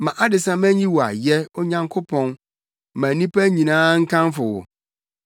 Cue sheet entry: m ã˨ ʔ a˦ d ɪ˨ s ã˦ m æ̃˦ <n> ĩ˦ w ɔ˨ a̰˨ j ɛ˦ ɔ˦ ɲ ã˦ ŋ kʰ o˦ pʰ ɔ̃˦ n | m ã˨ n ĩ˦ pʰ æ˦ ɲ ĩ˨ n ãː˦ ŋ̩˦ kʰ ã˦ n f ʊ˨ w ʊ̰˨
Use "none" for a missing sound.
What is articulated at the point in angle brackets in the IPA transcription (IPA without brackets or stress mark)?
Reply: ɲ